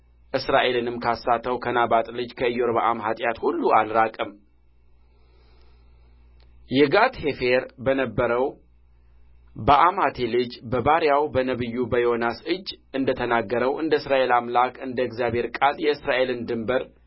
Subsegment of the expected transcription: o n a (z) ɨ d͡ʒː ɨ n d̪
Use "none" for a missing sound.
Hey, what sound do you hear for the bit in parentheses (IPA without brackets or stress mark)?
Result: s